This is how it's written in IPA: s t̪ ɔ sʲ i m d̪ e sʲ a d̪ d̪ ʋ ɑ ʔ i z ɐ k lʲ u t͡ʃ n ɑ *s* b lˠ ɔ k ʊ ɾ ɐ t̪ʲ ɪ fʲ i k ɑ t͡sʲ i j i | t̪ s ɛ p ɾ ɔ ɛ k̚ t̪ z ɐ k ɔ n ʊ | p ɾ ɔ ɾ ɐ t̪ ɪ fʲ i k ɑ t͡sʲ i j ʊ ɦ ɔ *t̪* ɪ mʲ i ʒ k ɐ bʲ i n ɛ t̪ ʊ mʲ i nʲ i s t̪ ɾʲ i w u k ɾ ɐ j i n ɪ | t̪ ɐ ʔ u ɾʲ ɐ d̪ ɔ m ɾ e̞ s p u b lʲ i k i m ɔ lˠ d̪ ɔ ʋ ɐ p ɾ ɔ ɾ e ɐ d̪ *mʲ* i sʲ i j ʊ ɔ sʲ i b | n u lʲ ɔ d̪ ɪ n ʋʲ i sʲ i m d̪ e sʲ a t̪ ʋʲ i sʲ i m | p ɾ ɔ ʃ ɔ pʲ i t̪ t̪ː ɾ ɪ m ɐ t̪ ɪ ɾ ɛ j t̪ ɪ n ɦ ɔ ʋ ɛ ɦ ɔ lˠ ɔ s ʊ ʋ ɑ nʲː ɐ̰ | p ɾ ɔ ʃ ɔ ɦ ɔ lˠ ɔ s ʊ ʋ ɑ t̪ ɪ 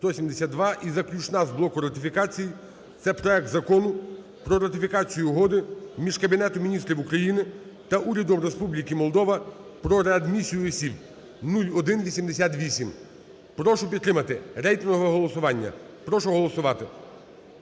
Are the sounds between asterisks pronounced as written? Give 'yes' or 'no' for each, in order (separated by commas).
no, no, yes